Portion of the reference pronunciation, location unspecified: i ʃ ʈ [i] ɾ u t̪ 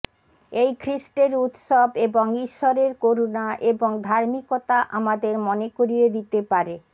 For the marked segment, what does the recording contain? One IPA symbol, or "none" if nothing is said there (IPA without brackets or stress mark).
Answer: e